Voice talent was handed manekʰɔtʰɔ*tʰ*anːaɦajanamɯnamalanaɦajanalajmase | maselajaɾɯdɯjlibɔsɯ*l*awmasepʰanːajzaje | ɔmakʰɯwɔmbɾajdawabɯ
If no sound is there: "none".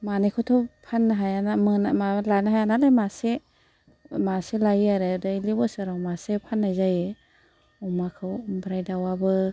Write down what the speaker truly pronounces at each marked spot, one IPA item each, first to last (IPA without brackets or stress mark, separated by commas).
pʰ, ɾ